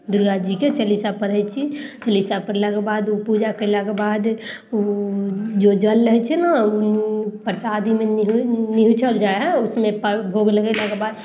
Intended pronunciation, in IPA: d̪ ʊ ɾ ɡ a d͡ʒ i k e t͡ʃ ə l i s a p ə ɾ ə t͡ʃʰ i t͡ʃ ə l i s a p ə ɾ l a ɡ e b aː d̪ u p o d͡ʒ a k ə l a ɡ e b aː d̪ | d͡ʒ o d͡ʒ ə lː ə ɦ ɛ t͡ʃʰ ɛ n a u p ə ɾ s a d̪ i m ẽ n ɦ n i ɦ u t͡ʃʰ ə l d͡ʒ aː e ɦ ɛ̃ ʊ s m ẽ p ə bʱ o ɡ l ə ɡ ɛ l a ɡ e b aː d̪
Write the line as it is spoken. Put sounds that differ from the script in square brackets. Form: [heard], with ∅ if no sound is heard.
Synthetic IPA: d̪ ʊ ɾ ɡ a d͡ʒ i k e t͡ʃ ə l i s a p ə ɾ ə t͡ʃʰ i t͡ʃ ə l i s a p ə ɾ l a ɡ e b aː d̪ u p [u] d͡ʒ a k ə l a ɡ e b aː d̪ | d͡ʒ o d͡ʒ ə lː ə ɦ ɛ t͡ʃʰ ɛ n a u p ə ɾ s a d̪ i m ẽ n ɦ n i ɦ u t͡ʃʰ ə l d͡ʒ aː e ɦ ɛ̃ ʊ s m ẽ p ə bʱ o ɡ l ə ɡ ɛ l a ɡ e b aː d̪